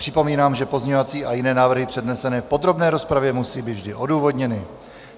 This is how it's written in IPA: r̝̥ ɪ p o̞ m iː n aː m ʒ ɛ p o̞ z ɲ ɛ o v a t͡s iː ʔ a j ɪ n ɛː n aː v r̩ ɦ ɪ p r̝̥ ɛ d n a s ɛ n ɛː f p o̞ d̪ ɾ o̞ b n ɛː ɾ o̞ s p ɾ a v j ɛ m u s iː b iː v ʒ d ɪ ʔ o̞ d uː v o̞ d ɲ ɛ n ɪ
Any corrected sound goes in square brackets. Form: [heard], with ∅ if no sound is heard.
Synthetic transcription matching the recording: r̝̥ ɪ p o̞ m iː n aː m ʒ ɛ p o̞ z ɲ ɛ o v a t͡s iː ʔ a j ɪ n ɛː n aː v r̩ ɦ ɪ p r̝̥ ɛ d n [ɛ] s ɛ n ɛː f p o̞ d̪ ɾ o̞ b n ɛː ɾ o̞ s p ɾ a v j ɛ m u s iː b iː v ʒ d ɪ ʔ o̞ d uː v o̞ d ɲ ɛ n ɪ